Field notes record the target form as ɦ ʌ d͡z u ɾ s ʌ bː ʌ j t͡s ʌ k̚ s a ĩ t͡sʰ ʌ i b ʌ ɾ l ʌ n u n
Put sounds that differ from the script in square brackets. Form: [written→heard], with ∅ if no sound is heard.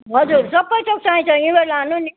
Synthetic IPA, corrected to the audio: ɦ ʌ d͡z u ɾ s ʌ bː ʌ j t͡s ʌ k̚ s a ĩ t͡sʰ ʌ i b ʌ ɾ l [ʌ→a] n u n